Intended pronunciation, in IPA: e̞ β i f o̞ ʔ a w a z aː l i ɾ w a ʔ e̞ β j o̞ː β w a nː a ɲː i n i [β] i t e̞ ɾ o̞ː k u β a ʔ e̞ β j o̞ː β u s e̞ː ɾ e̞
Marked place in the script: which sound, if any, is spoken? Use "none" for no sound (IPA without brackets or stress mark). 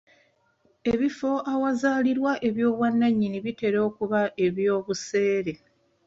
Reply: β